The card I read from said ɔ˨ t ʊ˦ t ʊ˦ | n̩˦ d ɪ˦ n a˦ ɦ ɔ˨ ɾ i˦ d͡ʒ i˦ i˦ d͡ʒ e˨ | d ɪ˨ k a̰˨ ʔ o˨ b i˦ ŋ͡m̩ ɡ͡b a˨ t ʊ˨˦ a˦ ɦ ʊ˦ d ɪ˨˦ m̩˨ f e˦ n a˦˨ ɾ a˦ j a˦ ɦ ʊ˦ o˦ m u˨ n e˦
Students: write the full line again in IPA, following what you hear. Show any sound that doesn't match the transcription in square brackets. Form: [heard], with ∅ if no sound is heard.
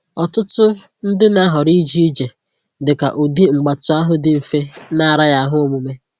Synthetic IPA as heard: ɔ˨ t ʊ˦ t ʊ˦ | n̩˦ d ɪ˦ n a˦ ɦ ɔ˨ ɾ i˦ d͡ʒ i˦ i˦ d͡ʒ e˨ | d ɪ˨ k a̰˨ ʔ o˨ [d] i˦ ŋ͡m̩ ɡ͡b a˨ t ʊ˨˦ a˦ ɦ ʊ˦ d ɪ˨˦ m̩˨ f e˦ n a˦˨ ɾ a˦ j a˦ ɦ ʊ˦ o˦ m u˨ [m] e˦

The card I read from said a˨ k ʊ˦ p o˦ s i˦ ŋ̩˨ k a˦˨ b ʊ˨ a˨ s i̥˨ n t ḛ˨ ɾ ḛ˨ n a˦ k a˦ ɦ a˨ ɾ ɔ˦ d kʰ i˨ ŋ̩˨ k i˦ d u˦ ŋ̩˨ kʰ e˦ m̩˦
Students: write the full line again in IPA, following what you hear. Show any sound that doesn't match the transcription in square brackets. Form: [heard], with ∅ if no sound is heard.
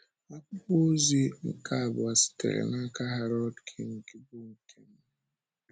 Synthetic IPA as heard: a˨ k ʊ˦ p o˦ [z] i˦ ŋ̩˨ k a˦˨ b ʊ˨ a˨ s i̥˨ [∅] t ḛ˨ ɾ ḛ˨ n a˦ k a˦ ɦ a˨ ɾ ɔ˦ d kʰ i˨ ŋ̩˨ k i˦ [b] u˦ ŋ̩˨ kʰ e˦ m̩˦

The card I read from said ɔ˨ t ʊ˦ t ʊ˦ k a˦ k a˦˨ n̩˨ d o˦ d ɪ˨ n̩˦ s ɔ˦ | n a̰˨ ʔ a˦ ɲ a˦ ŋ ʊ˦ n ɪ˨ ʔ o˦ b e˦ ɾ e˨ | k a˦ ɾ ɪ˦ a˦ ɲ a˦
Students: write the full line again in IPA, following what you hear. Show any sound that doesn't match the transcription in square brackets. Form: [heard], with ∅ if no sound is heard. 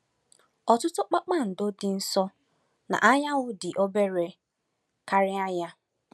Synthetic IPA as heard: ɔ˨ t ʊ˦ t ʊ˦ [k͡p] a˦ [k͡p] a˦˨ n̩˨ d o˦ d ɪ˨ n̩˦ s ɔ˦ | n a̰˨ ʔ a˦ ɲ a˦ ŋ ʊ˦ [d] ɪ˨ ʔ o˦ b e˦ ɾ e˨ | k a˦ ɾ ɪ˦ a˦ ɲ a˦

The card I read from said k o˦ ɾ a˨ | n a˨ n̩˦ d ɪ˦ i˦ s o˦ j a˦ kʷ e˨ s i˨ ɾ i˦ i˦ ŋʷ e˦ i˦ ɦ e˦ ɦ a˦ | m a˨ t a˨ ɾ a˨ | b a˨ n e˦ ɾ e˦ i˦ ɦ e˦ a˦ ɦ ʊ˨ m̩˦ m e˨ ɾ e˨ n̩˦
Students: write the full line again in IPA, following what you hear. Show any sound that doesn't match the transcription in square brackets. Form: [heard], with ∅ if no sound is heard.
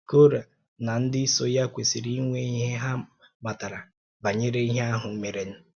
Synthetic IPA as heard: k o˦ ɾ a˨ | n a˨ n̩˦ d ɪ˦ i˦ s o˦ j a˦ kʷ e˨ s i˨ ɾ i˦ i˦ ŋʷ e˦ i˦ ɦ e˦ ɦ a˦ | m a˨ t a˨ ɾ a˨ | b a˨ [ɲ] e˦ ɾ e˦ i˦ ɦ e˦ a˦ ɦ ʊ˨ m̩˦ m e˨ ɾ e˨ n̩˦

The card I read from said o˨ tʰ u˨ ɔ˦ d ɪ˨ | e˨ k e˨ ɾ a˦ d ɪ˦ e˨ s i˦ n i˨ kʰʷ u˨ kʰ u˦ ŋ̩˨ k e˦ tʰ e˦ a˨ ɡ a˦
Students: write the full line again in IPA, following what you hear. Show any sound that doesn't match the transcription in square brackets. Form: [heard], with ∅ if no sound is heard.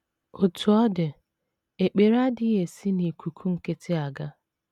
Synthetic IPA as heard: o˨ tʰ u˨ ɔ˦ d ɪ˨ | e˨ [k͡p] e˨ ɾ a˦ d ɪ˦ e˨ s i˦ n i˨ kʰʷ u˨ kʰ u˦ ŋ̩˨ k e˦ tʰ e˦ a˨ ɡ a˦

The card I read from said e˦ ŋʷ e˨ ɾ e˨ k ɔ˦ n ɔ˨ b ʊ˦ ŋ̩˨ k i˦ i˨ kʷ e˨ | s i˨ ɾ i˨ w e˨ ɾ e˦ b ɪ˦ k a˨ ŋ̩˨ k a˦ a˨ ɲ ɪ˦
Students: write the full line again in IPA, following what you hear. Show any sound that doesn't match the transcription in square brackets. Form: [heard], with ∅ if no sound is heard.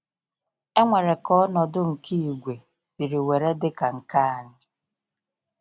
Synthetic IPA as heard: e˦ ŋʷ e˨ ɾ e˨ k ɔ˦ n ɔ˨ [d] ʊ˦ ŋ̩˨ k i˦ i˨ [ɡʷ] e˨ | s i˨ ɾ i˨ w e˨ ɾ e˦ [d] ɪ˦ k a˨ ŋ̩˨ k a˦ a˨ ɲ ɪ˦

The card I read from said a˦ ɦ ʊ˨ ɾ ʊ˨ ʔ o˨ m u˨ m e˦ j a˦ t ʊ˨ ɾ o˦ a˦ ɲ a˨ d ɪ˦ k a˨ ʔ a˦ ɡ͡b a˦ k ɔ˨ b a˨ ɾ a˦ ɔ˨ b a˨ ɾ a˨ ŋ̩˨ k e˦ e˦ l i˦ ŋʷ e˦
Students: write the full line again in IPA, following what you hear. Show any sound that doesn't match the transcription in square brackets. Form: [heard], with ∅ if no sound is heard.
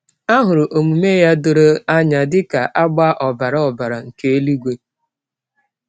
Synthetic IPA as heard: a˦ ɦ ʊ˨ ɾ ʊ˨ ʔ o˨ m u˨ m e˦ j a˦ [d] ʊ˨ ɾ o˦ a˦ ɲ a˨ d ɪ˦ k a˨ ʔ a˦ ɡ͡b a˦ [ʔ] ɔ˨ b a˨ ɾ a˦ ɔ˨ b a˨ ɾ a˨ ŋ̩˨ k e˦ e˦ l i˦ [ɡʷ] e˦

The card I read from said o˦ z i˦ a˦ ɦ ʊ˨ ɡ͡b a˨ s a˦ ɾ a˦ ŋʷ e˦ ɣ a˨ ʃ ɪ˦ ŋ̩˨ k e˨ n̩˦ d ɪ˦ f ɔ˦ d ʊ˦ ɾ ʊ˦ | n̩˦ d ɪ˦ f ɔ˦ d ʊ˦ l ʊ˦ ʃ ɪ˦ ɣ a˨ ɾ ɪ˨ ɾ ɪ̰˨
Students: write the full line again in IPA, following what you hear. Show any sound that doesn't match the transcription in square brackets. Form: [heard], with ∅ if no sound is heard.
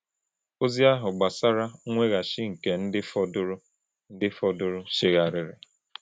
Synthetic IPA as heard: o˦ z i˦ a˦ ɦ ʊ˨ ɡ͡b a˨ s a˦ ɾ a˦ ŋʷ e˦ ɣ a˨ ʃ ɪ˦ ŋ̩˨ k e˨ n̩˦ d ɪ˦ f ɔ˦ d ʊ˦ ɾ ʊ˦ | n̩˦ d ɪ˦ f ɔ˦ d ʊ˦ [ɾ] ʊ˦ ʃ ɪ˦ ɣ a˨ ɾ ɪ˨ ɾ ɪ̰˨

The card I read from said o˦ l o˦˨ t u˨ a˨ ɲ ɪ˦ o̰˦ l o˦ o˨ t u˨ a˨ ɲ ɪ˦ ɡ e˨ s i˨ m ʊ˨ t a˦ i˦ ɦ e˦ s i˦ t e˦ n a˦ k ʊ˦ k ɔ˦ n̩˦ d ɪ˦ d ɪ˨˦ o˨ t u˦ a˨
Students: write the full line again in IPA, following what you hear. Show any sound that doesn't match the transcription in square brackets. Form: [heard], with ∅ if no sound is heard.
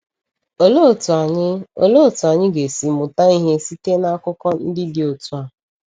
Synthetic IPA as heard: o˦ l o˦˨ t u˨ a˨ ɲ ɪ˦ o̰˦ l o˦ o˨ t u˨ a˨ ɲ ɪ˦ ɡ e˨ s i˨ m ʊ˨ t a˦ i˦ ɦ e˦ s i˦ t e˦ n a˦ k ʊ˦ k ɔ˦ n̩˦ d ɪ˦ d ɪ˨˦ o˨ t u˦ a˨

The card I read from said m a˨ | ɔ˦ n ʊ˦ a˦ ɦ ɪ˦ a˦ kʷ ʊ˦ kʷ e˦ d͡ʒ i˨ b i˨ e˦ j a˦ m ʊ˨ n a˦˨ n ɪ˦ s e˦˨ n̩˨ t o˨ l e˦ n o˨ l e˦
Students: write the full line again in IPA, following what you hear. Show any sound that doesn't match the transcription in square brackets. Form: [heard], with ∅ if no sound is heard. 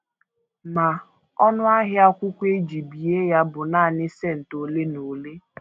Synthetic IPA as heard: m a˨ | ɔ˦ n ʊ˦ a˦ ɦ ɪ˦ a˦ kʷ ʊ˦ kʷ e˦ d͡ʒ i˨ b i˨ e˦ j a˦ [b] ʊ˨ n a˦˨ n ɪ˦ s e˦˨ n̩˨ t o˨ l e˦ n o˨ l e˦

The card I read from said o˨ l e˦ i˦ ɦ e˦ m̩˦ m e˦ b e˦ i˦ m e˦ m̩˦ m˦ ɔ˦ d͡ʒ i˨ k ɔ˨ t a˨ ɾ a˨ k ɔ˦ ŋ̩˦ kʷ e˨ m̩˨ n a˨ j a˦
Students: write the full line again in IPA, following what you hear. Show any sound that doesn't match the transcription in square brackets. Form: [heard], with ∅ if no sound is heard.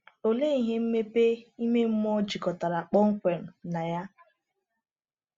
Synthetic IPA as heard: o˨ l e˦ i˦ ɦ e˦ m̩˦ m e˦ [p] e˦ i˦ m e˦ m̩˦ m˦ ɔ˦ d͡ʒ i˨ k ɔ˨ t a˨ ɾ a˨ [k͡p] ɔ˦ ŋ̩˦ kʷ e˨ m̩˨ n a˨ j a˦

